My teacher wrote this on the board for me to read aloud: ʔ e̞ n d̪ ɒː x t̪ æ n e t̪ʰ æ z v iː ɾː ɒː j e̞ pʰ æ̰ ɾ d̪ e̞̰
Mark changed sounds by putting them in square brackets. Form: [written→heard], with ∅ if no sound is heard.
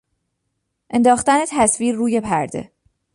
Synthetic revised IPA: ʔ e̞ n d̪ ɒː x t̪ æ n e t̪ʰ æ [z→s] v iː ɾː [ɒː→uː] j e̞ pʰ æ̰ ɾ d̪ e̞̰

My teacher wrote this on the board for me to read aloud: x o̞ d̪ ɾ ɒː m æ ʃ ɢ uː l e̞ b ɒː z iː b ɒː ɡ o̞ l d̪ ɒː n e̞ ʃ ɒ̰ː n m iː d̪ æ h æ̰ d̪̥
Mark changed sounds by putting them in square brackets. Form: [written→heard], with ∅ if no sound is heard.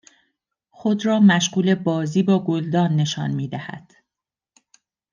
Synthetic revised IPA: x o̞ d̪ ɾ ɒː m æ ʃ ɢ uː l e̞ b ɒː z iː b ɒː ɡ o̞ l d̪ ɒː [n→nː] e̞ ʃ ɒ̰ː n m iː d̪ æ h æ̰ d̪̥

